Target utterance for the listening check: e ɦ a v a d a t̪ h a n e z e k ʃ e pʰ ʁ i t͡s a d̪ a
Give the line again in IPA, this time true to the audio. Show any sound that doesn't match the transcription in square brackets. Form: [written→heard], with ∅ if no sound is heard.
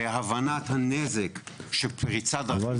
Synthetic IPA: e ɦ a v a [d→n] a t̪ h a n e z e k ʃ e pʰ ʁ i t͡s a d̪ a